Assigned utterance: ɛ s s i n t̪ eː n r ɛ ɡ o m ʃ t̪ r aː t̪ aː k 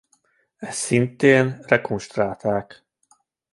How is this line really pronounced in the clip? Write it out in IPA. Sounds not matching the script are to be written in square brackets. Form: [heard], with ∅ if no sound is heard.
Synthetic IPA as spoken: ɛ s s i n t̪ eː n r ɛ [k] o [n] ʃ t̪ r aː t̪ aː k